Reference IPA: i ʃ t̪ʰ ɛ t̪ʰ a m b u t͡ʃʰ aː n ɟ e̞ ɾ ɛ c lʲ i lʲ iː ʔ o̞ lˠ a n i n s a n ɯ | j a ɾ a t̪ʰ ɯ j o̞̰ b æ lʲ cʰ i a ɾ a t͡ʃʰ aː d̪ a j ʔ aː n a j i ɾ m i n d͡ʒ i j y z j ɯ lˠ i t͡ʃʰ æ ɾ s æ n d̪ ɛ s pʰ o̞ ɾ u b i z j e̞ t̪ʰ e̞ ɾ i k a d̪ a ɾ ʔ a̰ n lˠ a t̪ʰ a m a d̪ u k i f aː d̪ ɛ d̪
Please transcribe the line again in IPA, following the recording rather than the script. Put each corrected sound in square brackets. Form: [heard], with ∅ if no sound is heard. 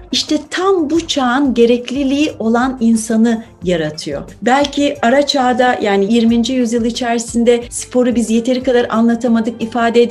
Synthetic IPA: i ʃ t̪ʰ ɛ t̪ʰ a m b u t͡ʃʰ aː n ɟ e̞ ɾ ɛ c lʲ i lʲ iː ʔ o̞ lˠ a n i n s a n ɯ | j a ɾ a t̪ʰ ɯ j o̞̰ b æ lʲ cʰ i a ɾ a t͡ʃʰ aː d̪ a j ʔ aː n [i] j i ɾ m i n d͡ʒ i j y z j ɯ lˠ i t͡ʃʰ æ ɾ s [i] n d̪ ɛ s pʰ o̞ ɾ u b i z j e̞ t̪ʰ e̞ ɾ i k a d̪ a ɾ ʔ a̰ n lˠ a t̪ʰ a m a d̪ [ɯ] k i f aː d̪ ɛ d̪